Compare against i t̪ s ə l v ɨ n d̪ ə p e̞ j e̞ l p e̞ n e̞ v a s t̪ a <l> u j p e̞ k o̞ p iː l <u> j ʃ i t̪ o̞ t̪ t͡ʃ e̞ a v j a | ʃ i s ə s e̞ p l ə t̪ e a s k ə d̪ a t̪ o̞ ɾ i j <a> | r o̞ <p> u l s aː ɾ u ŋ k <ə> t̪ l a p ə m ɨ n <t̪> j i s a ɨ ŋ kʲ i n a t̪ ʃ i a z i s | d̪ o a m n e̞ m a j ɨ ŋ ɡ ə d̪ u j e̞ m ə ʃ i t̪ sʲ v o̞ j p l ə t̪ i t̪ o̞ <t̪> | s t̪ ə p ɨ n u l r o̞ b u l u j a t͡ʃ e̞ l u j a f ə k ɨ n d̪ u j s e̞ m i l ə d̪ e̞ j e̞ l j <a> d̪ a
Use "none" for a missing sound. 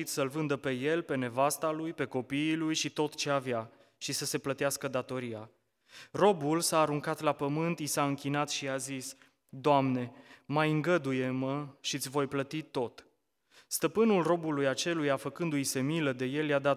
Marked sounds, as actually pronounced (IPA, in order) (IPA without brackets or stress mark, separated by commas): l, u, a, b, a, t̪, t̪, a